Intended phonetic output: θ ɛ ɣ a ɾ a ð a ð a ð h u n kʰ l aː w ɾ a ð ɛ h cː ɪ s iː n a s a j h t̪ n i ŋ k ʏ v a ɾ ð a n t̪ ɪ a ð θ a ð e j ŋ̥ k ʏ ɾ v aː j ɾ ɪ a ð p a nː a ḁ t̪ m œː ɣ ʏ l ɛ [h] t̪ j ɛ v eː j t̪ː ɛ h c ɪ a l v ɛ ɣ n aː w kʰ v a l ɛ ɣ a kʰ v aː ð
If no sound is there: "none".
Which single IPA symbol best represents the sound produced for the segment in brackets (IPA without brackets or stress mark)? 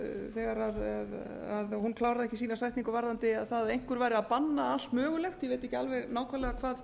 x